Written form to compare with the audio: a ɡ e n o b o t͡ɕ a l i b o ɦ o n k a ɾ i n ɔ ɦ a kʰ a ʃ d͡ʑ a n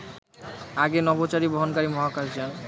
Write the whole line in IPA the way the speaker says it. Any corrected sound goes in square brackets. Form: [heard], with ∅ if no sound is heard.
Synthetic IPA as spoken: a ɡ e n [ɔ] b o t͡ɕ a [ɾ] i b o ɦ o n k a ɾ i [m] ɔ ɦ a [k] a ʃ d͡ʑ a n